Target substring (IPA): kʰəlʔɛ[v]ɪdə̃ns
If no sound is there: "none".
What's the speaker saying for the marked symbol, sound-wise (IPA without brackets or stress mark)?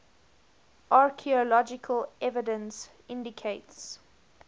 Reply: v